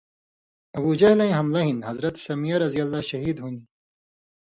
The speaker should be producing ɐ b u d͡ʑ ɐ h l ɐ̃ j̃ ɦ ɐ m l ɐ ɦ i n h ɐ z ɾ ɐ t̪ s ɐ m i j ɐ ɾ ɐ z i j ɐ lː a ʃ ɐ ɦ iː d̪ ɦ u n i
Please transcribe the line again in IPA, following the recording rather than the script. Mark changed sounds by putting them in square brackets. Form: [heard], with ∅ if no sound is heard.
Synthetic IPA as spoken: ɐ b u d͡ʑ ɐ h l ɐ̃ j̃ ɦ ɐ m l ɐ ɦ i n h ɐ z ɾ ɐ t̪ s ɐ m i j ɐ ɾ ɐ z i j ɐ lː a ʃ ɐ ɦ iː d̪ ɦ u n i